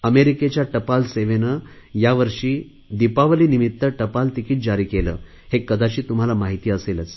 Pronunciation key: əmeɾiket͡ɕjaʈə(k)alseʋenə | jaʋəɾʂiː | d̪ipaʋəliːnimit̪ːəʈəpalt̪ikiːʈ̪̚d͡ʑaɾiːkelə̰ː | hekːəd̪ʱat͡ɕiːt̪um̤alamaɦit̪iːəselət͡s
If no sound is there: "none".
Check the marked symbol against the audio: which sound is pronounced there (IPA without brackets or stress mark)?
p